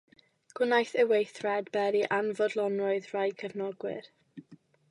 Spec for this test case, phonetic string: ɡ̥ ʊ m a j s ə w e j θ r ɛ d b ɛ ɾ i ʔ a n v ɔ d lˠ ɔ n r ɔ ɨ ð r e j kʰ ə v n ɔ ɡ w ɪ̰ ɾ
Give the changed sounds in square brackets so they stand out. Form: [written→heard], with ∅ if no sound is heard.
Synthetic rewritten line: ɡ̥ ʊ [m→n] a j [s→θ] ə w e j θ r ɛ d b ɛ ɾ i ʔ a n v ɔ d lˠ ɔ n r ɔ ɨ ð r [e→a] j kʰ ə v n ɔ ɡ w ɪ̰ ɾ